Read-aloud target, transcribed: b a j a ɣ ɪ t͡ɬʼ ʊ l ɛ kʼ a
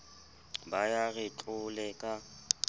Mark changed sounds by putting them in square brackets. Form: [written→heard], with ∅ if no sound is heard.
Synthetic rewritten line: b a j a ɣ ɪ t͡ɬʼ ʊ l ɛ kʼ a